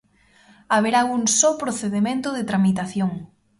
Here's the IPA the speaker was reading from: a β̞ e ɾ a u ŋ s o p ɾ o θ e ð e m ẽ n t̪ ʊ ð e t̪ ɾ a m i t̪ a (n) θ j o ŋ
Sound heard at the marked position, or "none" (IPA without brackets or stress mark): none